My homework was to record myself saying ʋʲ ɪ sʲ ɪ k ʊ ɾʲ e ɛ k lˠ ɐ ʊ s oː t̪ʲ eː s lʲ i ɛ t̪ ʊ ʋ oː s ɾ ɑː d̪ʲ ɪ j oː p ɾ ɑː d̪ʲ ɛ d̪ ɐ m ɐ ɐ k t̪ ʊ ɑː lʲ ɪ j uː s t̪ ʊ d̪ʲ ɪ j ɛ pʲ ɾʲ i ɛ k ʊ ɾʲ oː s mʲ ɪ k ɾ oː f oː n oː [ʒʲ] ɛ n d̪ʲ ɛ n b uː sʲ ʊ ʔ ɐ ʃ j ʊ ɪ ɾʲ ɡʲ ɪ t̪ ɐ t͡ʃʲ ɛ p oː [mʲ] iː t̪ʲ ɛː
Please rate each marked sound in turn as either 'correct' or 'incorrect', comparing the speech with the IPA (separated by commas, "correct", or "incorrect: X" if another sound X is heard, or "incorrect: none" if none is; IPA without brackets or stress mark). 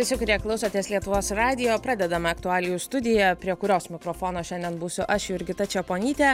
incorrect: ʃʲ, incorrect: nʲ